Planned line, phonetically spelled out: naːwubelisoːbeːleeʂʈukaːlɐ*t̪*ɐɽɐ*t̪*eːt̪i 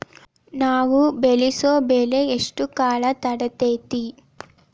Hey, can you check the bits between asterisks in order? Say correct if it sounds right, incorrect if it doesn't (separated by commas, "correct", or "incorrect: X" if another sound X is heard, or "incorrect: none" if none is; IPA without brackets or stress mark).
correct, correct